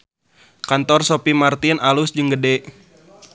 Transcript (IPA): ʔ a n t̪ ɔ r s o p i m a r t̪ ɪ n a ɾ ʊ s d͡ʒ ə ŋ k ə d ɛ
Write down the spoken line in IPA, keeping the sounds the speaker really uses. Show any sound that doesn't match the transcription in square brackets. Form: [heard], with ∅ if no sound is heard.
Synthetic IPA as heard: [k] a n t̪ ɔ r s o p i m a r t̪ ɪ n a [l] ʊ s d͡ʒ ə ŋ [ɡ] ə d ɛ